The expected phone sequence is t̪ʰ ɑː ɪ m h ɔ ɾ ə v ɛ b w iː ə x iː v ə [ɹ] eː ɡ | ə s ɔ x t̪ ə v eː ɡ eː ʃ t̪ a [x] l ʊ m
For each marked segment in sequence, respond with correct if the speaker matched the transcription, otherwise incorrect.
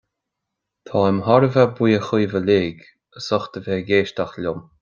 incorrect: l, correct

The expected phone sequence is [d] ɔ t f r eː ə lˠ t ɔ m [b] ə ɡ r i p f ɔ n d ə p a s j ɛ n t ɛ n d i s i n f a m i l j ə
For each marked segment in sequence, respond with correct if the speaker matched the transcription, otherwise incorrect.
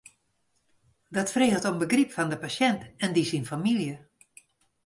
correct, correct

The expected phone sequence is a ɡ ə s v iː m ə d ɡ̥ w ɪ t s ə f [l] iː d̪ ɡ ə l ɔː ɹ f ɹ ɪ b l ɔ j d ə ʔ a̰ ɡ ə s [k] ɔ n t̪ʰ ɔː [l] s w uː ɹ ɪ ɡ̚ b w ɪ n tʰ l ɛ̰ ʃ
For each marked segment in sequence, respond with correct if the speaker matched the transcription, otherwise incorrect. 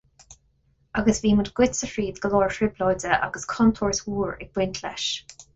incorrect: ɹ, incorrect: kʰ, incorrect: ɹ

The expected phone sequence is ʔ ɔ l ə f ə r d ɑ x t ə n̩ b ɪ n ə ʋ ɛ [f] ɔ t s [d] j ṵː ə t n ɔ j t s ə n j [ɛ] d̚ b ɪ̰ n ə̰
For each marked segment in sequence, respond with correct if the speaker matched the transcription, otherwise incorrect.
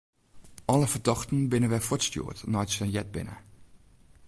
correct, incorrect: t, correct

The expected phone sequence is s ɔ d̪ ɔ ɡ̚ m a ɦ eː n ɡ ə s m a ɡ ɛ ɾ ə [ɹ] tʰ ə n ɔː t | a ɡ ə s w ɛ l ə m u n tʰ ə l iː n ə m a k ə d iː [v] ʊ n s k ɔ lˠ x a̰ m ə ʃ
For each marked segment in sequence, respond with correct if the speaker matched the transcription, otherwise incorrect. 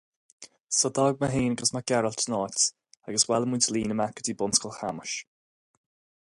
incorrect: l, incorrect: b

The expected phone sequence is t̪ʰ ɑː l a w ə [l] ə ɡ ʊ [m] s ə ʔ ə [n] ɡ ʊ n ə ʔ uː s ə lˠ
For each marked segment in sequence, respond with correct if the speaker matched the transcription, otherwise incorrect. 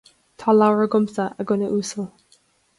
incorrect: ɹ, correct, incorrect: none

